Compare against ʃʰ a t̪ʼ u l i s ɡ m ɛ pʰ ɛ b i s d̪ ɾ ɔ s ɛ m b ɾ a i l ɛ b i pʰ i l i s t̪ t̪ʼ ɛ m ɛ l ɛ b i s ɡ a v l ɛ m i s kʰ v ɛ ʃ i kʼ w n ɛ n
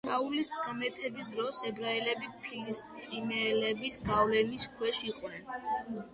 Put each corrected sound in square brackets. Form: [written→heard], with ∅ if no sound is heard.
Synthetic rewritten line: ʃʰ a [t̪ʼ→∅] u l i s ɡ m ɛ pʰ ɛ b i s d̪ ɾ ɔ s ɛ [m→∅] b ɾ a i l ɛ b i pʰ i l i s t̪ t̪ʼ [ɛ→i] m ɛ l ɛ b i s ɡ a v l ɛ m i s kʰ [v→w] ɛ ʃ i [kʼ→qʼ] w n ɛ n